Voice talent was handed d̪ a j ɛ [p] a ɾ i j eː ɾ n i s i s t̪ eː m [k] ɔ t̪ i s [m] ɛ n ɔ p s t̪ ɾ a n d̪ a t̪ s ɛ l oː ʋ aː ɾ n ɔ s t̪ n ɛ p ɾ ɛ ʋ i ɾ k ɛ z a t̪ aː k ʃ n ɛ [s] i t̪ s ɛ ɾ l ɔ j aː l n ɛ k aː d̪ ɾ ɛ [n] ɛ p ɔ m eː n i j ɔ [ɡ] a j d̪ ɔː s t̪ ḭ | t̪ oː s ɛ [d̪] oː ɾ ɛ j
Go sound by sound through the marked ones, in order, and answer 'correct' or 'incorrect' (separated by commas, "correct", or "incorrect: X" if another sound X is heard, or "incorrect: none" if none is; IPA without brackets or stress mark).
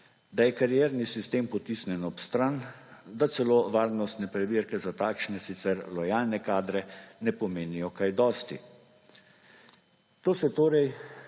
incorrect: k, incorrect: p, incorrect: n, correct, correct, incorrect: k, incorrect: t̪